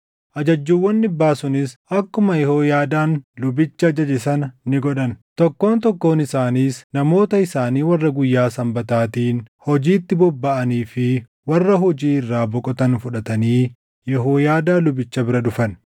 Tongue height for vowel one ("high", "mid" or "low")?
low